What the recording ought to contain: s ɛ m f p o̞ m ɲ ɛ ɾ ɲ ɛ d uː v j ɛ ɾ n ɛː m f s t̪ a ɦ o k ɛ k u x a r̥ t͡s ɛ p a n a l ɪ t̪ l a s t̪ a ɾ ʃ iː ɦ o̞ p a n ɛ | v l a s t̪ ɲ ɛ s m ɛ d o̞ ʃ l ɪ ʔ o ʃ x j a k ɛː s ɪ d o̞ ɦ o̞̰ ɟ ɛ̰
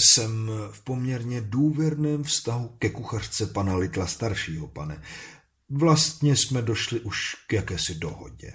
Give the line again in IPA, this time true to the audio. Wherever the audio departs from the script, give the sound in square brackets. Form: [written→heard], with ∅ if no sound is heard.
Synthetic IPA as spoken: s ɛ m f p o̞ m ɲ ɛ ɾ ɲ ɛ d uː v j ɛ ɾ n ɛː m f s t̪ a ɦ [o→u] k ɛ k u x a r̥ t͡s ɛ p a n a l ɪ t̪ l a s t̪ a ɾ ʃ iː ɦ o̞ p a n ɛ | v l a s t̪ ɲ ɛ s m ɛ d o̞ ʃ l ɪ ʔ [o→u] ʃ [x→k] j a k ɛː s ɪ d o̞ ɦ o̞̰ ɟ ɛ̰